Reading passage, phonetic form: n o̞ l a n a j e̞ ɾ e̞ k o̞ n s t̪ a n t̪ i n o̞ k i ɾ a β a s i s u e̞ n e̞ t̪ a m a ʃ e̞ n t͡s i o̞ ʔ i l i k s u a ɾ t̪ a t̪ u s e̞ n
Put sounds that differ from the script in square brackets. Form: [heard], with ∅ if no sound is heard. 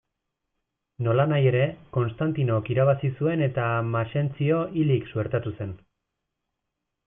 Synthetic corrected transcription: n o̞ l a n a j e̞ ɾ e̞ k o̞ n s t̪ a n t̪ i n o̞ k i ɾ a β a s i s u e̞ n e̞ t̪ a m a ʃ e̞ n t͡s i o̞ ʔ i l i k s u [e] ɾ t̪ a t̪ u s e̞ n